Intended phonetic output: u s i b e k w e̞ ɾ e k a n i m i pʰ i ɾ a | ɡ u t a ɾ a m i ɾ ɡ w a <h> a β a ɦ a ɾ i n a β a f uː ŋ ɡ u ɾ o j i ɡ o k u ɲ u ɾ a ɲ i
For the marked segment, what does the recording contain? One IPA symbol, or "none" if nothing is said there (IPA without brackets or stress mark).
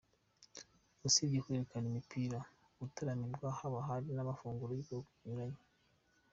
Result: h